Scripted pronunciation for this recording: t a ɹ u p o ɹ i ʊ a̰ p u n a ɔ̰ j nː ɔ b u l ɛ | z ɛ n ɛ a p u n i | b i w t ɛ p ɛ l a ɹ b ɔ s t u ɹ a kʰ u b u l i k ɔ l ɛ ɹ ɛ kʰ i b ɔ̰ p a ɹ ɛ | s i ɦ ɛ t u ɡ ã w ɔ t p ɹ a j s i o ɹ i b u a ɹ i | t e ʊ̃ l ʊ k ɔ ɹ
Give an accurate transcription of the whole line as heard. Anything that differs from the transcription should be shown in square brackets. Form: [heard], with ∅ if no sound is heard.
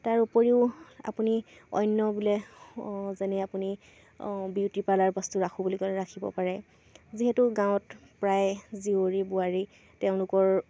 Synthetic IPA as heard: t a ɹ u p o ɹ i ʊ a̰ p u n [i] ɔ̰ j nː ɔ b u l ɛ | z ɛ n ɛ a p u n i | b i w t [i] p [a] l a ɹ b ɔ s t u ɹ a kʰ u b u l i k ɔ l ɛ ɹ [a] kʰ i b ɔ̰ p a ɹ ɛ | [z] i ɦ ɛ t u ɡ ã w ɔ t p ɹ a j [z] i o ɹ i b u a ɹ i | t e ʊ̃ l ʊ k ɔ ɹ